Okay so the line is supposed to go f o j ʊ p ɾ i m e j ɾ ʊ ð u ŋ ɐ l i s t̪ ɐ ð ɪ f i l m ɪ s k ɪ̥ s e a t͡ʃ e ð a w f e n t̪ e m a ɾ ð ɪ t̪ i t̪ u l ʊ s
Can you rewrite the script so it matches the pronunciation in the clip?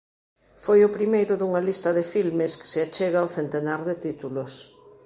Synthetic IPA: f o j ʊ p ɾ i m e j ɾ ʊ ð u ŋ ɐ l i s t̪ ɐ ð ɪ f i l m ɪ s k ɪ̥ s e a t͡ʃ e ɣ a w θ e n t̪ e n a ɾ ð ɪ t̪ i t̪ u l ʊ s